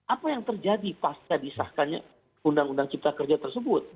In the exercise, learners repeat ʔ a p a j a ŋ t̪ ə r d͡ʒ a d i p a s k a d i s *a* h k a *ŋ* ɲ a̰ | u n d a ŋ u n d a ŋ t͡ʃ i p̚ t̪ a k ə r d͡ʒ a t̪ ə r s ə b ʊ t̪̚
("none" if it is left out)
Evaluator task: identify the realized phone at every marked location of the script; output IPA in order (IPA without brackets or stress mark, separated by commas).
a, n